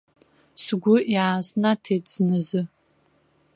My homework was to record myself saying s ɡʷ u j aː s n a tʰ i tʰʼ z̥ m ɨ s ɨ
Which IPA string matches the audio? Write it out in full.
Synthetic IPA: s ɡʷ ʊ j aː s n a tʰ e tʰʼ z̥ n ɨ z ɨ